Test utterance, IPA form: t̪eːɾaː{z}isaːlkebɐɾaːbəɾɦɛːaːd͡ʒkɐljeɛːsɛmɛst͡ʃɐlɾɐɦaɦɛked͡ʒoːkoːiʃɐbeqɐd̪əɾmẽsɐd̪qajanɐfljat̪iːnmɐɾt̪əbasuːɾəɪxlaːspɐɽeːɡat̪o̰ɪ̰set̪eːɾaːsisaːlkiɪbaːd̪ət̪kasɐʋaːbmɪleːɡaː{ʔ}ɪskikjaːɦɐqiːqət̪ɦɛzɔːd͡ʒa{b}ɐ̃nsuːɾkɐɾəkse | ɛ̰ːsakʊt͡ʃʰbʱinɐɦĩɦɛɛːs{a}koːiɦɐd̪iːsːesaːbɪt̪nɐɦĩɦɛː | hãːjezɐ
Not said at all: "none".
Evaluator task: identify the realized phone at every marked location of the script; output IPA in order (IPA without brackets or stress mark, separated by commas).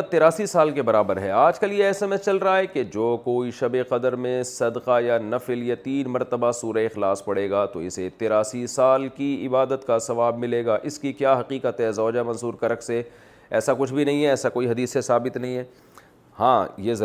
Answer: s, ʔ, m, a